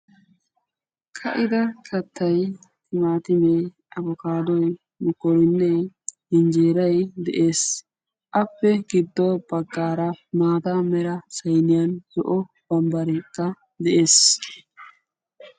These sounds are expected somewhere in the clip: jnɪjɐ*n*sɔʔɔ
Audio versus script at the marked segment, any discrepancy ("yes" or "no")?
no